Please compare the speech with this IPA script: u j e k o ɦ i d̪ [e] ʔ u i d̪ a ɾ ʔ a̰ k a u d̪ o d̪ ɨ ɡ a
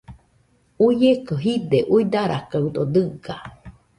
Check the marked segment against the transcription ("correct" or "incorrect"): correct